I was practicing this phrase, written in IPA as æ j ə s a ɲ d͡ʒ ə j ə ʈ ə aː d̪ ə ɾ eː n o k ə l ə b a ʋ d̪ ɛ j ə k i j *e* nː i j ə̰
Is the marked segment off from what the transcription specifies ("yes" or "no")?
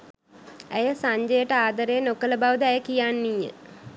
yes